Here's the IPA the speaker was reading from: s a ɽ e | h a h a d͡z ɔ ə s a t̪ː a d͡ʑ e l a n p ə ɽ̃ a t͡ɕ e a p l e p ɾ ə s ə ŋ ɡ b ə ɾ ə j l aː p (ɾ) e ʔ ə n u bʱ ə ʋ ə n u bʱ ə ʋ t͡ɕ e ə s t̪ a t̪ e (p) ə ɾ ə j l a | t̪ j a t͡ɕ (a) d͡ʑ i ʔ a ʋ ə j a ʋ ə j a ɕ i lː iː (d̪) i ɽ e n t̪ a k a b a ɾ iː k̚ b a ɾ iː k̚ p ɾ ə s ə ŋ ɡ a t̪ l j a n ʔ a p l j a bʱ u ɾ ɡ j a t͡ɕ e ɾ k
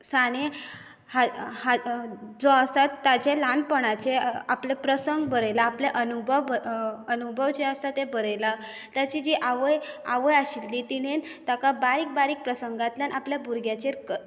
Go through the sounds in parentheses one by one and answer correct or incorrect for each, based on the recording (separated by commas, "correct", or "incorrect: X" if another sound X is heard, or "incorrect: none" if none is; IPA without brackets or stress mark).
incorrect: l, incorrect: b, incorrect: i, incorrect: t̪